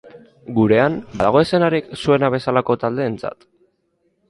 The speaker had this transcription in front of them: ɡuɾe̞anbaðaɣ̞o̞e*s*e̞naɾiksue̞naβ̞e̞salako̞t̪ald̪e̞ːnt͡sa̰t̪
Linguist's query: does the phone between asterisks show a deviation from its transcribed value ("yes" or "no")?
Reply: no